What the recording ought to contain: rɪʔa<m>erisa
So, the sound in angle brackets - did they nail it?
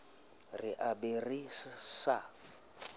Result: no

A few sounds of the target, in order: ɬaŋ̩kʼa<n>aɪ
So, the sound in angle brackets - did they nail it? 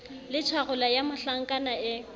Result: yes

